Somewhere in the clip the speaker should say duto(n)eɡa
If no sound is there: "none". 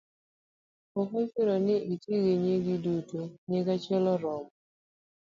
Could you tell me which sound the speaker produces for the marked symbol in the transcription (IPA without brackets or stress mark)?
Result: ɲ